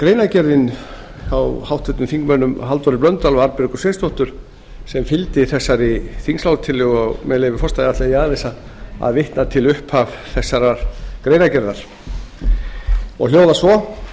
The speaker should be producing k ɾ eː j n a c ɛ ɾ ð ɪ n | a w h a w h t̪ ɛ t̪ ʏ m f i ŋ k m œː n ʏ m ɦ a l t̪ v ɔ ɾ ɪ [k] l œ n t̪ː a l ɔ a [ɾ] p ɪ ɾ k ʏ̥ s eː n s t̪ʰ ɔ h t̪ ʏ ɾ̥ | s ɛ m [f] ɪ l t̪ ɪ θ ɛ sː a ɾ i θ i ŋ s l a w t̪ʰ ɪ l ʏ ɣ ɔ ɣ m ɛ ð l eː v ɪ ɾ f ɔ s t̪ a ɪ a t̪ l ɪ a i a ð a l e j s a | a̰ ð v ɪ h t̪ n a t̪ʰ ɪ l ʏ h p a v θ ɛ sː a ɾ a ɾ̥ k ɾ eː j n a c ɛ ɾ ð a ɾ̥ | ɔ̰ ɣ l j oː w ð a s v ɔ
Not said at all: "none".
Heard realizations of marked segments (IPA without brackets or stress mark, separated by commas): p, ɾ, f